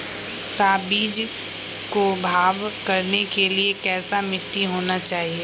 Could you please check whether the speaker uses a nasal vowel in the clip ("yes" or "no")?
no